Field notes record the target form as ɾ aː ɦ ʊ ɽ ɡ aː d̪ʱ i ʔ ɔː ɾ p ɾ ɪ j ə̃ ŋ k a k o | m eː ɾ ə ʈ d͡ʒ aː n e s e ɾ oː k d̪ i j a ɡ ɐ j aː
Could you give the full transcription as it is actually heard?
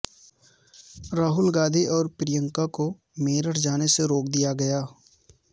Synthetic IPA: ɾ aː ɦ ʊ l ɡ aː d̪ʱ i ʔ ɔː ɾ p ɾ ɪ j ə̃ ŋ k a k o | m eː ɾ ə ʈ d͡ʒ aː n e s e ɾ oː k d̪ i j a ɡ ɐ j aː